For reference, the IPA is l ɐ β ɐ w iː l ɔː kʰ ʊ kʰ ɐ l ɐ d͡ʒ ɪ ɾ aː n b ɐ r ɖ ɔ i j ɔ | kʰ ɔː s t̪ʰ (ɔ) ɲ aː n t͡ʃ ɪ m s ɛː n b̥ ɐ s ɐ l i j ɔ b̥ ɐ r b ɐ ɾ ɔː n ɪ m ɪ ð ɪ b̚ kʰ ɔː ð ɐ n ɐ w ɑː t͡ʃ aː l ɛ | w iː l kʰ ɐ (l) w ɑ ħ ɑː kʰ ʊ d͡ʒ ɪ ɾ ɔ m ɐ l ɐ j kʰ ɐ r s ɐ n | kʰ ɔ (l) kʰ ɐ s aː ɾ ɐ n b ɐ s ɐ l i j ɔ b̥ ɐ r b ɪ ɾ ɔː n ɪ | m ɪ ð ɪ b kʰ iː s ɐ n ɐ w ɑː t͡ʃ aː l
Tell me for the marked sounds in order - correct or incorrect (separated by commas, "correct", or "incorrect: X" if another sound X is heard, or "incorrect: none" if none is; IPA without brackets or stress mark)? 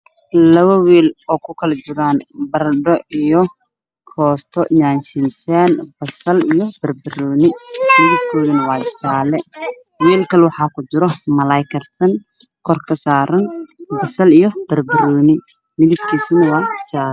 correct, correct, incorrect: r